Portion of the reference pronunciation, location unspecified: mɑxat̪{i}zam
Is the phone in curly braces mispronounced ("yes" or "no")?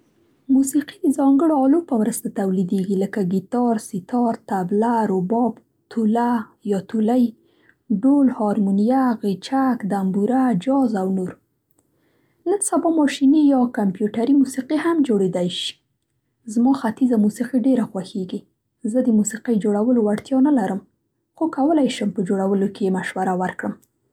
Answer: no